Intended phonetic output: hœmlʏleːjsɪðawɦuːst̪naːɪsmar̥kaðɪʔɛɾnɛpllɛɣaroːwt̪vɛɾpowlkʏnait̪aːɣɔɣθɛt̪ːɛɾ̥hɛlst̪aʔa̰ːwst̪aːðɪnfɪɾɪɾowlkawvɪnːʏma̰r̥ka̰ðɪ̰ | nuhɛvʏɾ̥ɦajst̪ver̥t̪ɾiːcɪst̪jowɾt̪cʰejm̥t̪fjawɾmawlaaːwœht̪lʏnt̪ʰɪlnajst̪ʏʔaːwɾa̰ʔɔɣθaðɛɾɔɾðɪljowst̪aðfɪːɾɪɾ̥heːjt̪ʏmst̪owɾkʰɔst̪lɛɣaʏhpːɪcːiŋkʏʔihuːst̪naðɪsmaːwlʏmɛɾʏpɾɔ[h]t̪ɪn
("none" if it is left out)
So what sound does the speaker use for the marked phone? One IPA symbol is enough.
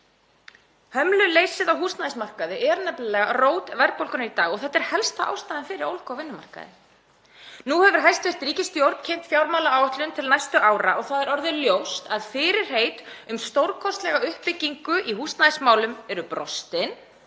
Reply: s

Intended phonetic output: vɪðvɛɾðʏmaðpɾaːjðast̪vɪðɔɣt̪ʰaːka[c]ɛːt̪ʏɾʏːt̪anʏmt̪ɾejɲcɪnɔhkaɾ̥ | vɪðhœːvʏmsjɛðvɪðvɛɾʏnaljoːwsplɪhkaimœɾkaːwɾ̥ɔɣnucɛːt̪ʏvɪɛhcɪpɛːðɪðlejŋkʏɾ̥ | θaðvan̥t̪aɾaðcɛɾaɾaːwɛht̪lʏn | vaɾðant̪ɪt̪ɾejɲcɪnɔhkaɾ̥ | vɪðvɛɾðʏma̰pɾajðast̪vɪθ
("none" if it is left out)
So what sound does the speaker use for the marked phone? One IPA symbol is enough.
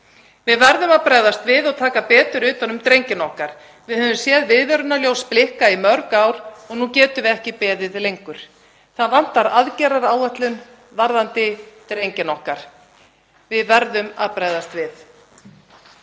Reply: p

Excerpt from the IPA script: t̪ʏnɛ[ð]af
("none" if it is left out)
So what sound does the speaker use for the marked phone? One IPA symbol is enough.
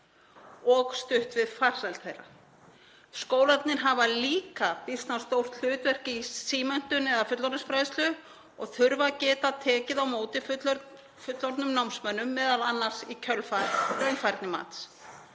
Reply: ð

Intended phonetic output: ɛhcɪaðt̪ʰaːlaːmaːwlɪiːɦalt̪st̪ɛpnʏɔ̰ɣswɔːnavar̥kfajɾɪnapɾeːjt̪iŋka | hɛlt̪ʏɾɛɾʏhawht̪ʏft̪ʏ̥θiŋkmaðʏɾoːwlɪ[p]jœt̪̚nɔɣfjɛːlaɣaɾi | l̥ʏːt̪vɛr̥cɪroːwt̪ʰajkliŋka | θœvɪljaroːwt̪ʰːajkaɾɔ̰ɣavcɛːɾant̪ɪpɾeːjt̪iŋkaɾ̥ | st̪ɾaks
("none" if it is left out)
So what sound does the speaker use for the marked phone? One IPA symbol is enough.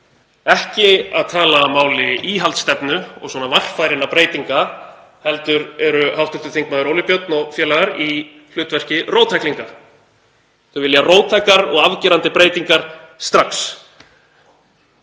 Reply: p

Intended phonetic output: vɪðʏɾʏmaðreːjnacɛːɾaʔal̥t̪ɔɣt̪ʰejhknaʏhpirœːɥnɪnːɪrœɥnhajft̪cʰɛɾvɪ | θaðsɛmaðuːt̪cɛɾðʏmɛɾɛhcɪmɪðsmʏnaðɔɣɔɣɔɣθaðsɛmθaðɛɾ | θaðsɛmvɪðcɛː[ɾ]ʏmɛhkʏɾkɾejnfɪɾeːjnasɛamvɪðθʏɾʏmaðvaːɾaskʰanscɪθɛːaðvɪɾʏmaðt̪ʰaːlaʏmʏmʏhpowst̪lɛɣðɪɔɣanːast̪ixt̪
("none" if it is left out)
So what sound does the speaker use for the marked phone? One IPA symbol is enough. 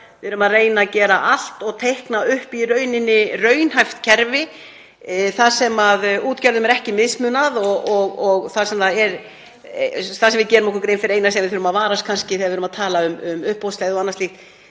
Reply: ɾ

